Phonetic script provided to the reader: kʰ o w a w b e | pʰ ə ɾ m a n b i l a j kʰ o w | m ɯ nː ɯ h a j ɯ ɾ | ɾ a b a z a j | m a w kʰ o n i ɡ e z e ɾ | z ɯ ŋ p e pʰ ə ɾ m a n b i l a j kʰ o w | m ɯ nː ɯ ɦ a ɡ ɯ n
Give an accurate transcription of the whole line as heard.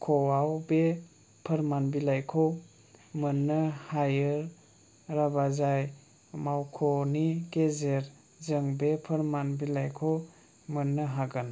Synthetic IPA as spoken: kʰ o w a w b e | pʰ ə ɾ m a n b i l a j kʰ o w | m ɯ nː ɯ h a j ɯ ɾ | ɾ a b a z a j | m a w kʰ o n i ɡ e z e ɾ | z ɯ ŋ b e pʰ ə ɾ m a n b i l a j kʰ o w | m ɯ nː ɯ ɦ a ɡ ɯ n